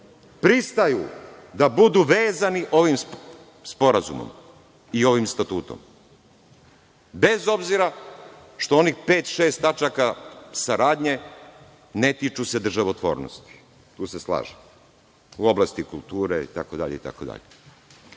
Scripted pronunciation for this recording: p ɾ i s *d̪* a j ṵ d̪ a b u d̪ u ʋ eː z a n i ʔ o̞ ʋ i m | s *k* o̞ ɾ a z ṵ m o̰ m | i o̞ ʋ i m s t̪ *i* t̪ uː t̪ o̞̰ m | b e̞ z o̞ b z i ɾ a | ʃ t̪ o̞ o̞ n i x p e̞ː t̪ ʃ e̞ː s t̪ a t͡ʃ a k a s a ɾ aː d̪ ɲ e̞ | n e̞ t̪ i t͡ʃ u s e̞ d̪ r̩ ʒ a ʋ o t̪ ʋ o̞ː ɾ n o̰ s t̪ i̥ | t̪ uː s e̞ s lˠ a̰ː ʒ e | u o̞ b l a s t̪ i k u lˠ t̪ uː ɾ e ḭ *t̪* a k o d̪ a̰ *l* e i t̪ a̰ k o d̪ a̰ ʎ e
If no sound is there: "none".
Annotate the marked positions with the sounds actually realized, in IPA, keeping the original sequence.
t̪, p, a, t̪, ʎ

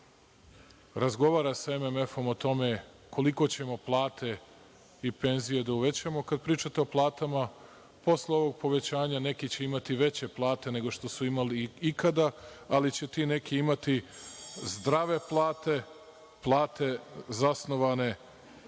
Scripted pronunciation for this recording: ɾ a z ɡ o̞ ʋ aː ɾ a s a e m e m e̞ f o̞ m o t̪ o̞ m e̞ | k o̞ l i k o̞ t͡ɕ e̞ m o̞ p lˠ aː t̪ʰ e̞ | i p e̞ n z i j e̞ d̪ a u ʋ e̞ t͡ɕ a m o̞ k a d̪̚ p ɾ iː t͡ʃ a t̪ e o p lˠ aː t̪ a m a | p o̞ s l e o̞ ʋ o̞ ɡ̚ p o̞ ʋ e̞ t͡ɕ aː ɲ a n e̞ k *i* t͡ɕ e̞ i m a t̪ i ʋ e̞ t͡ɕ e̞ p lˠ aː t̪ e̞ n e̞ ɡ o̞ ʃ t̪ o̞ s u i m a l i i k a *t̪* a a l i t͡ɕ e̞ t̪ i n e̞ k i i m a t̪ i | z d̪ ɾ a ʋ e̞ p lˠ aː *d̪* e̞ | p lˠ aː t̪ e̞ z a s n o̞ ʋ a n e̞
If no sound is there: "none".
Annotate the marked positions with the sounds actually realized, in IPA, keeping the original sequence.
i, d̪, t̪

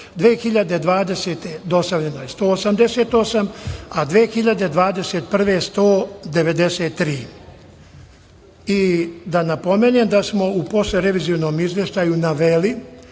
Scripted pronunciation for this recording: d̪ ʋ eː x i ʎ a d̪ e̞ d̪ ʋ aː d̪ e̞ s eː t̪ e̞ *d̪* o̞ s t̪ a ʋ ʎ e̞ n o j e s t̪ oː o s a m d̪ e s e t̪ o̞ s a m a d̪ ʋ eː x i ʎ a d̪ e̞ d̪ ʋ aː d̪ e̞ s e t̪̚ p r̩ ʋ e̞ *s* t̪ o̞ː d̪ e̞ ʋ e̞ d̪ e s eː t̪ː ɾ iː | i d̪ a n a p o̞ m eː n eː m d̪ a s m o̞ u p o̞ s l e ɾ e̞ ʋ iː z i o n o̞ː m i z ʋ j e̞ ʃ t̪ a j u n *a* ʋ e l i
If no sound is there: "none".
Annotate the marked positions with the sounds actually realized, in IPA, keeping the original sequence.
d̪, s, a

